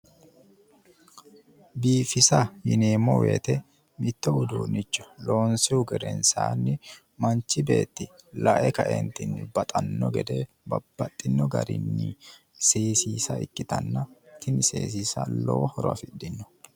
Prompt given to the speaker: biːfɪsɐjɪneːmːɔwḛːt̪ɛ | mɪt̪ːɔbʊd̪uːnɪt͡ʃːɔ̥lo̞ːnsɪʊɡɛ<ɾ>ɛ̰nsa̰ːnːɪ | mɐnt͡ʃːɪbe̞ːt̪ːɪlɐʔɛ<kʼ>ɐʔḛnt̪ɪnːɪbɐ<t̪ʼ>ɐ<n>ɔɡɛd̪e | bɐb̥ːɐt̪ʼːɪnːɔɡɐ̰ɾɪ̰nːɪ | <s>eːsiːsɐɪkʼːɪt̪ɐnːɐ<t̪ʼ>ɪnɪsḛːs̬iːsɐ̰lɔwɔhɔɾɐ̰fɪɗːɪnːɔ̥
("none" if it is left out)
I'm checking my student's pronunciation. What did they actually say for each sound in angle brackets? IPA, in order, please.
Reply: ɾ, k, t̪ʼ, nː, s, t̪

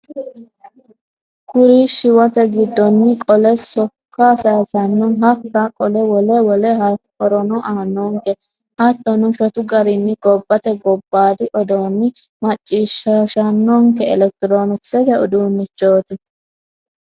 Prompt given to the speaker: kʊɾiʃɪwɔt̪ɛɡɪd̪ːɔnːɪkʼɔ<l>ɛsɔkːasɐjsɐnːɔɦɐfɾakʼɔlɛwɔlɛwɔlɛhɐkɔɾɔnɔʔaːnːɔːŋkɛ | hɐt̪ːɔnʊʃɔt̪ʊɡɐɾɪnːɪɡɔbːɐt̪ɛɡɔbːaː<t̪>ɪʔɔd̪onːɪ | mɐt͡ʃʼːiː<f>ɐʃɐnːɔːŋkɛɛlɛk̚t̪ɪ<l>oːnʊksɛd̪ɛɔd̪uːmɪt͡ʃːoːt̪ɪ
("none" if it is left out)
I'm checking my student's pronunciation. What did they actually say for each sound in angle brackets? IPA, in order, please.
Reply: l, d̪, ʃ, ɾ

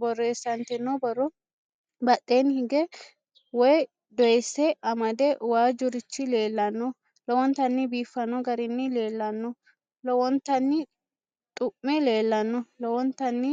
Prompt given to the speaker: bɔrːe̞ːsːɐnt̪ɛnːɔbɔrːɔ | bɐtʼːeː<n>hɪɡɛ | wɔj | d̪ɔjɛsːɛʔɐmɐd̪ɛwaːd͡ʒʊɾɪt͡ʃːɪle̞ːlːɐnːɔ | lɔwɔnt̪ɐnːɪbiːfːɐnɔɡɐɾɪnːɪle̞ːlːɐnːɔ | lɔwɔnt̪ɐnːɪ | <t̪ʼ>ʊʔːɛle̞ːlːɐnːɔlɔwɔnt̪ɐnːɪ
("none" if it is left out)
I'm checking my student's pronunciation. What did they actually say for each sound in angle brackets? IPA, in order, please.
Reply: n, t̪ʼ

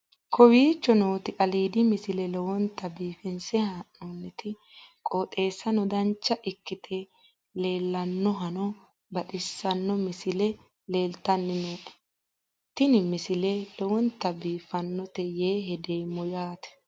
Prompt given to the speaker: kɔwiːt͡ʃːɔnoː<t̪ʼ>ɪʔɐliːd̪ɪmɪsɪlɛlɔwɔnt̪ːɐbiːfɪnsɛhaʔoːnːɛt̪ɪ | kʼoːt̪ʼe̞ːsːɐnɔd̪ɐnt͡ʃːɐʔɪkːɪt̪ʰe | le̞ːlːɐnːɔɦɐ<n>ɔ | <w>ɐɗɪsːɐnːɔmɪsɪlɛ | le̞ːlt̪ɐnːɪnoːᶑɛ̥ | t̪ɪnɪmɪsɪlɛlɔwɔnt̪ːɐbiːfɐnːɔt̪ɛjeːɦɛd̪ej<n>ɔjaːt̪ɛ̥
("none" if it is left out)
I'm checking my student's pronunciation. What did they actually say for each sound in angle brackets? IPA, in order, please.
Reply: t̪, n, b, m

